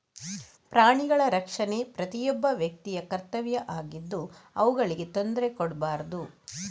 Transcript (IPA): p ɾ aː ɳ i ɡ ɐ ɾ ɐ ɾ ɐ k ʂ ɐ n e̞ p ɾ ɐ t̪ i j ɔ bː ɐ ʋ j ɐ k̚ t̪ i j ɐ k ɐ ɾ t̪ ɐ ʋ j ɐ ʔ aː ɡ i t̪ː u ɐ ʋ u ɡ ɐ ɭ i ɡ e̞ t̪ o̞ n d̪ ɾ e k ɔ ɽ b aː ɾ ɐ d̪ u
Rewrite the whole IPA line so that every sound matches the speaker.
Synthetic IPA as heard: p ɾ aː ɳ i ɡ ɐ ɭ ɐ ɾ ɐ k ʂ ɐ n e̞ p ɾ ɐ t̪ i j ɔ bː ɐ ʋ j ɐ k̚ t̪ i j ɐ k ɐ ɾ t̪ ɐ ʋ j ɐ ʔ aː ɡ i d̪ː u ɐ ʋ u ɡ ɐ ɭ i ɡ e̞ t̪ o̞ n d̪ ɾ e k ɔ ɽ b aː ɾ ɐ d̪ u